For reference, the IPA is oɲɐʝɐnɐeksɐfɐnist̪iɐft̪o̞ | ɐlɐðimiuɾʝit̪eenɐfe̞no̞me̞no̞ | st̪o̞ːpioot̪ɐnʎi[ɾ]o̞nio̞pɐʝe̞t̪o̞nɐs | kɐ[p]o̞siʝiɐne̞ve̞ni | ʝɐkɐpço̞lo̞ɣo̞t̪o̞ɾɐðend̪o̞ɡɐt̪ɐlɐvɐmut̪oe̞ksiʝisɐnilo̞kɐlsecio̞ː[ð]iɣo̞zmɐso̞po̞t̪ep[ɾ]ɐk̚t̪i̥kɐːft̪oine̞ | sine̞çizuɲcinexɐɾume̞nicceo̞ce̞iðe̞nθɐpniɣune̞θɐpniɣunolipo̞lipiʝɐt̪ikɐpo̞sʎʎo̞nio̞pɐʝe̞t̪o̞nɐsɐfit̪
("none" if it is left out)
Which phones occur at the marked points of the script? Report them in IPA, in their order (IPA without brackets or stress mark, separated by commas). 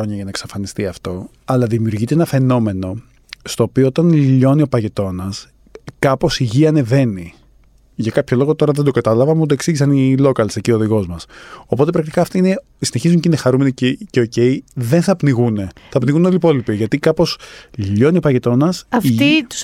ʎ, p, ð, ɾ